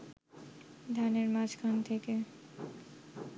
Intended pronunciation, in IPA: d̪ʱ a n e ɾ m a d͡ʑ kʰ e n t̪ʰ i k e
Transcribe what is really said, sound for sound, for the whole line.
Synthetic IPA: d̪ʱ a n e ɾ m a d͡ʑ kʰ a n t̪ʰ e k e

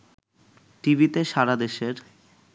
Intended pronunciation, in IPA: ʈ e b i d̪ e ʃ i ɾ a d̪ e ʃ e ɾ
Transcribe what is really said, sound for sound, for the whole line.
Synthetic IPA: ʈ i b i t̪ e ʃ a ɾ a d̪ e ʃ e ɾ

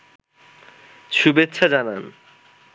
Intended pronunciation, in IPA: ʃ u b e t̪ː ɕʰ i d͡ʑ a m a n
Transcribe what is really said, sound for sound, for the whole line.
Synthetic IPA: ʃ u b e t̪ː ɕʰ a d͡ʑ a n a n

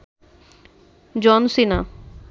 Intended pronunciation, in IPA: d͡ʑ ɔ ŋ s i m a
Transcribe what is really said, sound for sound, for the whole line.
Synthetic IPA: d͡ʑ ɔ n s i n a

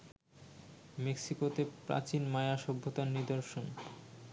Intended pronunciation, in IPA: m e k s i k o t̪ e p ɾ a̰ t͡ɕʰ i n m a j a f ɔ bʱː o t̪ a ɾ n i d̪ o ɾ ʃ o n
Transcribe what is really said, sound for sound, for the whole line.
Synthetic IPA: m e k s i k o t̪ e p ɾ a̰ t͡ɕ i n m a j a ʃ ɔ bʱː o t̪ a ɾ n i d̪ o ɾ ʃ o n

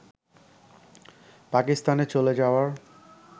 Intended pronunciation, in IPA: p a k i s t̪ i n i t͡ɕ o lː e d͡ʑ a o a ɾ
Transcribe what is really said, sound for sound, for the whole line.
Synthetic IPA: p a k i s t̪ a n e t͡ɕ o l e d͡ʑ a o a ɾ

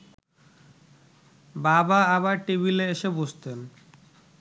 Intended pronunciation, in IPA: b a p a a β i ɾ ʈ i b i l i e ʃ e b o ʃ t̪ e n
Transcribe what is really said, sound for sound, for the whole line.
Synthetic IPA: b a b a a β a ɾ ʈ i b i l e e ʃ e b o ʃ t̪ e n

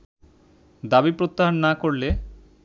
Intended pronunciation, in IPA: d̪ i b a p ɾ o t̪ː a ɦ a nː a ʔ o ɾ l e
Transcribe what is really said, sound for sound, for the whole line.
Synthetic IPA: d̪ a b i p ɾ o t̪ː a ɦ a nː a k o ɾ l e

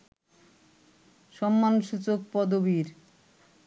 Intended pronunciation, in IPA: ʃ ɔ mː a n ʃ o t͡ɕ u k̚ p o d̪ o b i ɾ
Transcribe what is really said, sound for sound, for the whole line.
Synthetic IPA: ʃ ɔ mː a n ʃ u t͡ɕ o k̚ p ɔ d̪ o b i ɾ

